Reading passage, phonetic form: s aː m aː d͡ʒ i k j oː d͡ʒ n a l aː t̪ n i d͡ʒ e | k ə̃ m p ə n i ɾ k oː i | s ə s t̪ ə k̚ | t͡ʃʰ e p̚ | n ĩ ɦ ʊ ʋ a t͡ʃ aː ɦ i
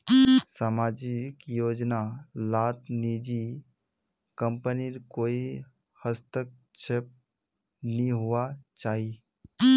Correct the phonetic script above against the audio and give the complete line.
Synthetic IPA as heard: s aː m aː d͡ʒ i k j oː d͡ʒ n a l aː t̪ n i d͡ʒ i | k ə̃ m p ə n i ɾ k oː i | h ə s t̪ ə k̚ | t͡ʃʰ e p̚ | n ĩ ɦ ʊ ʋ a t͡ʃ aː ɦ i

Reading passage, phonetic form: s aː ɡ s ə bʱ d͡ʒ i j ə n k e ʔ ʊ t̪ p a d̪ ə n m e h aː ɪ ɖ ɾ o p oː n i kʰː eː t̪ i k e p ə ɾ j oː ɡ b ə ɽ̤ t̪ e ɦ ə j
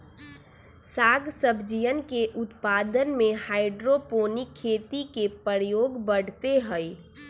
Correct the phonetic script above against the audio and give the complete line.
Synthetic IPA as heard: s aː ɡ s ə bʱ d͡ʒ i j ə n k e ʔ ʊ t̪ p a d̪ ə n m e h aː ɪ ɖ ɾ o p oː n i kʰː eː t̪ i k e p ə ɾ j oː ɡ b ə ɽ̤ t̪ e ɦ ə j

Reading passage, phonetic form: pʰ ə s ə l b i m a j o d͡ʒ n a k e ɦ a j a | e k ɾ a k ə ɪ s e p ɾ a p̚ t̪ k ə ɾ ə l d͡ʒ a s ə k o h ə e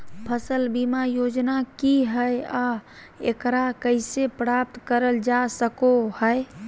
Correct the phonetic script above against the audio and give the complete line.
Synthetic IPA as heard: pʰ ə s ə l b i m a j o d͡ʒ n a k i ɦ ə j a | e k ɾ a k ə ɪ s e p ɾ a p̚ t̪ k ə ɾ ə l d͡ʒ a s ə k o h ə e

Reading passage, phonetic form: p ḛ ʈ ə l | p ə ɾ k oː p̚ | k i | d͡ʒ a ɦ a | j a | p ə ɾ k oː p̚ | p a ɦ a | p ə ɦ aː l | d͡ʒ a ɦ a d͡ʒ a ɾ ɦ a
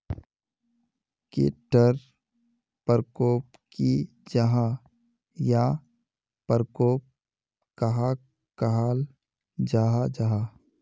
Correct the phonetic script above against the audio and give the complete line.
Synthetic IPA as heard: k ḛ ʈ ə ɾ | p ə ɾ k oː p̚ | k i | d͡ʒ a ɦ a | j a | p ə ɾ k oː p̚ | k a ɦ a | k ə ɦ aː l | d͡ʒ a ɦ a d͡ʒ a ɦ a

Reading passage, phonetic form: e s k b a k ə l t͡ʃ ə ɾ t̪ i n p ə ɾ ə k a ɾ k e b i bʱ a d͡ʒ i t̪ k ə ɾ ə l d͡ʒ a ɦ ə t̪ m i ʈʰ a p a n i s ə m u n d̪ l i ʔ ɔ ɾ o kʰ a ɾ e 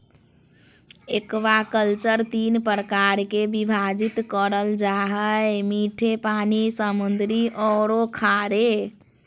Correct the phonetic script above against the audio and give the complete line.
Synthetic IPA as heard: e k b a k ə l t͡ʃ ə ɾ t̪ i n p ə ɾ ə k a ɾ k e b i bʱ a d͡ʒ i t̪ k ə ɾ ə l d͡ʒ a ɦ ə m i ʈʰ e p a n i s ə m u n d̪ ɾ i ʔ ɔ ɾ o kʰ a ɾ e

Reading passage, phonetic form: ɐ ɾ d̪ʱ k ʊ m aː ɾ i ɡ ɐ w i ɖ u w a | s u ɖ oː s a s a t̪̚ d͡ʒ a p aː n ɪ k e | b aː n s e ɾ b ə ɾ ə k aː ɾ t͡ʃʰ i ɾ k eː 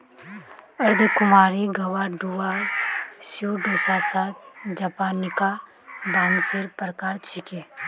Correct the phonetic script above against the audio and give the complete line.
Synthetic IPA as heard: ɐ ɾ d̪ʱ k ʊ m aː ɾ i ɡ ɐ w a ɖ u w a | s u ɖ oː s a s a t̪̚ d͡ʒ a p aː n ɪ k a | b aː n s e ɾ p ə ɾ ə k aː ɾ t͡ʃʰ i k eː

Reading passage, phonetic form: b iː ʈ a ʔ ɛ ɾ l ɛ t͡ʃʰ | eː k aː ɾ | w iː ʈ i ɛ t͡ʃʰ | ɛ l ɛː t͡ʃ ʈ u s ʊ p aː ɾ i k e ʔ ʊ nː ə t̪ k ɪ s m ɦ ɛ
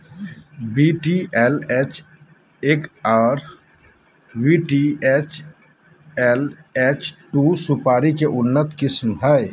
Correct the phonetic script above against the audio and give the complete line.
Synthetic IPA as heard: b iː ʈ i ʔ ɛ l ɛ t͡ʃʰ | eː k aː ɾ | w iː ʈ i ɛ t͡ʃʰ | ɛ l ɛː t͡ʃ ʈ u s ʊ p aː ɾ i k e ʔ ʊ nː ə t̪ k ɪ s m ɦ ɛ

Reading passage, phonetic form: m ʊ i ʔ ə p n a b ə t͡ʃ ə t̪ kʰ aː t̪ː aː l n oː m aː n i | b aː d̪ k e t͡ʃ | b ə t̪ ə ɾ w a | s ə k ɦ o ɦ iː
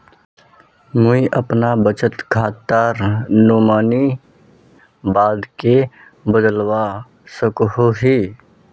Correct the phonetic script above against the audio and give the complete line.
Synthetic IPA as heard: m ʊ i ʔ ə p n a b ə t͡ʃ ə t̪ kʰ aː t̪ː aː ɾ n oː m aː n i | b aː d̪ k e | b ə d̪ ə l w a | s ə k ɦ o ɦ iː

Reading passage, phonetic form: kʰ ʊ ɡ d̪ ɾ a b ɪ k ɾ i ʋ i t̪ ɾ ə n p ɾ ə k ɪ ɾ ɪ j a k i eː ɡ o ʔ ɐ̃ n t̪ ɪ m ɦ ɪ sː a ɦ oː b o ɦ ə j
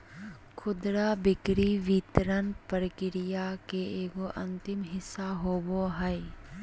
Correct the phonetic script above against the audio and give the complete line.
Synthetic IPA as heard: kʰ ʊ d̪ ɾ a b ɪ k ɾ i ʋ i t̪ ɾ ə n p ɾ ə k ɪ ɾ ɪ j a k e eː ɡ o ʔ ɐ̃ n t̪ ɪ m ɦ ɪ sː a ɦ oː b o ɦ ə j

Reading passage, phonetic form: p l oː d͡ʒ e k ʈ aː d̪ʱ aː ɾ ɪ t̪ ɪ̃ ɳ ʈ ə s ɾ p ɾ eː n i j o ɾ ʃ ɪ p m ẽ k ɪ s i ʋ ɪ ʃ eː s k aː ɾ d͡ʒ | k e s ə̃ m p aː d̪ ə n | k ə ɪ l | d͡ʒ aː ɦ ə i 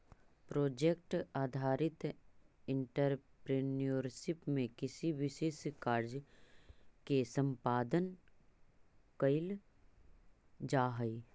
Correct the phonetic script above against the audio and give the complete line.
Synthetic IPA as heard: p ɾ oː d͡ʒ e k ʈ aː d̪ʱ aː ɾ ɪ t̪ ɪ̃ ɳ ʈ ə ɾ p ɾ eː n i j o ɾ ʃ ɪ p m ẽ k ɪ s i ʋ ɪ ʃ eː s k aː ɾ d͡ʒ | k e s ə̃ m p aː d̪ ə n | k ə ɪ l | d͡ʒ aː ɦ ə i

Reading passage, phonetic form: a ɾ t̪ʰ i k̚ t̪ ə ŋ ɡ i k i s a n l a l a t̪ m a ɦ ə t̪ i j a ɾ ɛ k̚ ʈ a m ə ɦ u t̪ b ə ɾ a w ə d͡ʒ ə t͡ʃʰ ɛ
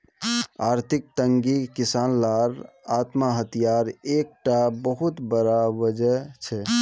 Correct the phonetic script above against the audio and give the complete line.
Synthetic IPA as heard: a ɾ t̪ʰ i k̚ t̪ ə ŋ ɡ i k i s a n l a ɾ a t̪ m a ɦ ə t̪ i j a ɾ e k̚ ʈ a b ə ɦ u t̪ b ə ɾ a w ə d͡ʒ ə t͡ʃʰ ɛ

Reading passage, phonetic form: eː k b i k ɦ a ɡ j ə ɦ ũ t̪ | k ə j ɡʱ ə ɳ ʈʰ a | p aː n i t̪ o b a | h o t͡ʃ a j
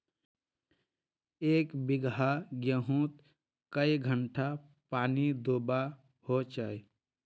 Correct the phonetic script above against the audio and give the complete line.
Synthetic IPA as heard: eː k b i ɡ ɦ a ɡ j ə ɦ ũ t̪ | k ə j ɡʱ ə ɳ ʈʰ a | p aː n i d̪ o b a | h o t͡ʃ a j

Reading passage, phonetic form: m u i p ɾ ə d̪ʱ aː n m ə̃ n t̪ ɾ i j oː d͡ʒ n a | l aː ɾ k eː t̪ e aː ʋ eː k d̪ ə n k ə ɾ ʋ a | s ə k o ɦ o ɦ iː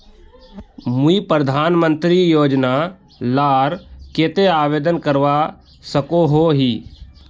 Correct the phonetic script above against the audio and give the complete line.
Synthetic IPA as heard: m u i p ɾ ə d̪ʱ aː n m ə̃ n t̪ ɾ i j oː d͡ʒ n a | l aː ɾ k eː t̪ e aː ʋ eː d̪ ə n k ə ɾ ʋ a | s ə k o ɦ o ɦ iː

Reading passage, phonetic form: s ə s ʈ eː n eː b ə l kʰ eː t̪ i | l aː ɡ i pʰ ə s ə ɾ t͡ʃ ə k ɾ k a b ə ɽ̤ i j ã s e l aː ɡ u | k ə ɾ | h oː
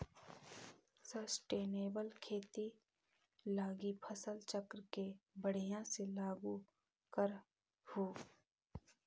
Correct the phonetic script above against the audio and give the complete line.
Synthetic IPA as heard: s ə s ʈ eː n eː b ə l kʰ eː t̪ i | l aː ɡ i pʰ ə s ə l t͡ʃ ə k ɾ k e b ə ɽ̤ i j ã s e l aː ɡ u | k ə ɾ | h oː

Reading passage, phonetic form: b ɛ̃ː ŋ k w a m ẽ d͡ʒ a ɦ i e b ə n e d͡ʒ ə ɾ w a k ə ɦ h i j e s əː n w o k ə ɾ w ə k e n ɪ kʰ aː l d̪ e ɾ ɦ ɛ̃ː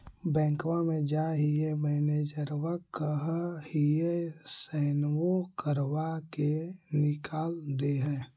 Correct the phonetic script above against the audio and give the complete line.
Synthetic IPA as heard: b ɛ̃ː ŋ k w a m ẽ d͡ʒ a ɦ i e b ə n e d͡ʒ ə ɾ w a k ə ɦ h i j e s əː n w o k ə ɾ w a k e n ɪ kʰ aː l d̪ e ɦ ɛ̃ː

